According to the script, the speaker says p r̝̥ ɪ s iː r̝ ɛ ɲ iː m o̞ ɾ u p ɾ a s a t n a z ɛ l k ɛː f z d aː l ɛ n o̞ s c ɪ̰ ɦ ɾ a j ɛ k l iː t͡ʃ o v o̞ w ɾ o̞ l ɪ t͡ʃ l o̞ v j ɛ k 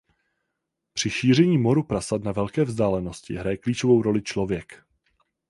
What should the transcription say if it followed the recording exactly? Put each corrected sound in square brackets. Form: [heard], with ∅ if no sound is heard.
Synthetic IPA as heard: p r̝̥ ɪ [ʃ] iː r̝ ɛ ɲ iː m o̞ ɾ u p ɾ a s a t n a [v] ɛ l k ɛː [v] z d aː l ɛ n o̞ s c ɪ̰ ɦ ɾ a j ɛ k l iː t͡ʃ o v o̞ w ɾ o̞ l ɪ t͡ʃ l o̞ v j ɛ k

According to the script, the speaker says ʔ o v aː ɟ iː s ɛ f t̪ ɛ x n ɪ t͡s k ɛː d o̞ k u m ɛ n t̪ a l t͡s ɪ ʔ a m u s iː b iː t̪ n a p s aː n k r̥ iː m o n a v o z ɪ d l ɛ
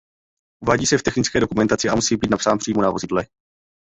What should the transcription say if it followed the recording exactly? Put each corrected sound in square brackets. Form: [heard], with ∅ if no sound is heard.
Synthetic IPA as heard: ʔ [u] v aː ɟ iː s ɛ f t̪ ɛ x n ɪ t͡s k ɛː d o̞ k u m ɛ n t̪ a [∅] t͡s ɪ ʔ a m u s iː b iː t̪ n a p s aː n [p] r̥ iː m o n a v o z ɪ d l ɛ

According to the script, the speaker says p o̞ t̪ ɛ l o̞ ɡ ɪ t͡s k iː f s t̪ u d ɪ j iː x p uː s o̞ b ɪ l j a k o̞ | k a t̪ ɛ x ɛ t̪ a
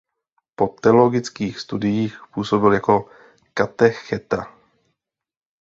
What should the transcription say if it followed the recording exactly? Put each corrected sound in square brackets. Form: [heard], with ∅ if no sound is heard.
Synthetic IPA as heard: p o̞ t̪ ɛ l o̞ ɡ ɪ t͡s k iː [x] s t̪ u d ɪ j iː x p uː s o̞ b ɪ l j a k o̞ | k a t̪ ɛ x ɛ t̪ a

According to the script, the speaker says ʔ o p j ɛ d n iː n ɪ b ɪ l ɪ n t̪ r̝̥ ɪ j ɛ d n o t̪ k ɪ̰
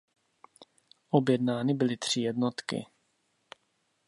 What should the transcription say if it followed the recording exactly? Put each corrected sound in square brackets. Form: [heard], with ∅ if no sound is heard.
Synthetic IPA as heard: ʔ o [b] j ɛ d n [aː] n ɪ b ɪ l ɪ [∅] t̪ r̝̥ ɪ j ɛ d n o t̪ k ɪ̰

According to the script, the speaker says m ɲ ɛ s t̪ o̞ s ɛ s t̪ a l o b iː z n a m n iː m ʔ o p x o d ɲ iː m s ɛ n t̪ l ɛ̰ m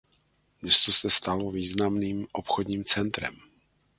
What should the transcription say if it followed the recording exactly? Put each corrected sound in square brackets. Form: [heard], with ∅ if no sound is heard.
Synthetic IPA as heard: m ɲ ɛ s t̪ o̞ s ɛ s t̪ a l o [v] iː z n a m n iː m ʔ o p x o d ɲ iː m [t͡s] ɛ n t̪ [ɾ] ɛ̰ m

